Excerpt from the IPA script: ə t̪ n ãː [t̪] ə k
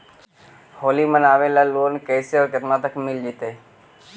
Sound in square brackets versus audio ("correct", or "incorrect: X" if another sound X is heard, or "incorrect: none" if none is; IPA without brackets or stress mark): correct